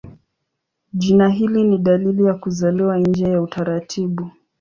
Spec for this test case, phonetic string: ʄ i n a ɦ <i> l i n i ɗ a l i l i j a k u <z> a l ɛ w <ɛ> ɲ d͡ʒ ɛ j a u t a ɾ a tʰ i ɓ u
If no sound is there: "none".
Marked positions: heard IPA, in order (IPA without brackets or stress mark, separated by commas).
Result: i, z, a